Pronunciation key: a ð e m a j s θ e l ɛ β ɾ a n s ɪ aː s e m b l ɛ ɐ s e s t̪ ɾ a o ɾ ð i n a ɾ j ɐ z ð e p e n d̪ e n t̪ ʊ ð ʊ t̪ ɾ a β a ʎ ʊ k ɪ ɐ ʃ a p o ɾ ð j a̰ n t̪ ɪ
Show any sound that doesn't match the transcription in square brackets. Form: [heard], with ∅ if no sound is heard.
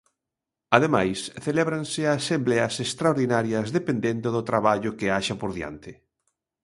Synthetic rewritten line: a ð e m a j s θ e l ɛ β ɾ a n s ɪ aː s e m b l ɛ ɐ s e s t̪ ɾ a o ɾ ð i n a ɾ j ɐ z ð e p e n d̪ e n [d̪] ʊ ð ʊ t̪ ɾ a β a ʎ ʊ k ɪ [a] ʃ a p o ɾ ð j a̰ n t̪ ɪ

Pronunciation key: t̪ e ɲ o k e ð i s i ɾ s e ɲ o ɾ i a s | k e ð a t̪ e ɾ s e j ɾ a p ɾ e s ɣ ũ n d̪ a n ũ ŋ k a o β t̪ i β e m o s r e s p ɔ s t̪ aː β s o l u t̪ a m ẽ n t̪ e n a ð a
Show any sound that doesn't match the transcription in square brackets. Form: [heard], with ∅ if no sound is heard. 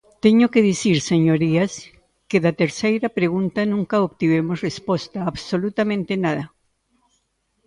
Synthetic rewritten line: t̪ e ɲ o k e ð i s i ɾ s e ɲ o ɾ i a s | k e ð a t̪ e ɾ s e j ɾ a p ɾ e [∅] ɣ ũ n [t̪] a n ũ ŋ k a o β t̪ i β e m o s r e s p [o] s t̪ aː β s o l u t̪ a m ẽ n t̪ e n a ð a

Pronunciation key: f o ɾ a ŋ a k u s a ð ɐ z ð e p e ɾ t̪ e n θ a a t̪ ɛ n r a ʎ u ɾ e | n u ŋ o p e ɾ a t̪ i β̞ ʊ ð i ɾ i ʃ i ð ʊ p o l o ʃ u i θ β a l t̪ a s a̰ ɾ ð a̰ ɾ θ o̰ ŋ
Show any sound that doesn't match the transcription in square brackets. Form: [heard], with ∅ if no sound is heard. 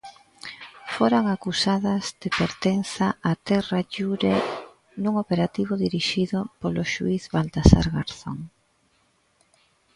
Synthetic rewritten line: f o ɾ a ŋ a k u s a ð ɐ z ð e p e ɾ t̪ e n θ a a t̪ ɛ [∅] r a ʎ u ɾ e | n u ŋ o p e ɾ a t̪ i β̞ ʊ ð i ɾ i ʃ i ð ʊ p o l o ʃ u i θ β a l t̪ a s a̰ ɾ [ɣ] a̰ ɾ θ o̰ ŋ

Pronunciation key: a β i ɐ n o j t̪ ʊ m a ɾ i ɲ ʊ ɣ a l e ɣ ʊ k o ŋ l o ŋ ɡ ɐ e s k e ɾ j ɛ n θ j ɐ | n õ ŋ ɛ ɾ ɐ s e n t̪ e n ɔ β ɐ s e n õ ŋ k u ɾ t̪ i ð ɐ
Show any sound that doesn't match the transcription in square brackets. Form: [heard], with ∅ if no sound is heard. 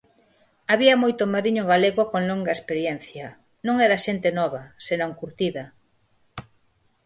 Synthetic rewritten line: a β i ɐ [m] o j t̪ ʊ m a ɾ i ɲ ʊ ɣ a l e ɣ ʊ k o ŋ l o ŋ ɡ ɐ e s [p] e ɾ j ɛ n θ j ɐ | n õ ŋ ɛ ɾ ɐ [ʃ] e n t̪ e n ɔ β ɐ s e n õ ŋ k u ɾ t̪ i ð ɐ

